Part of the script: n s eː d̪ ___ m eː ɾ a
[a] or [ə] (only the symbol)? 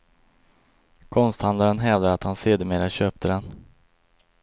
ə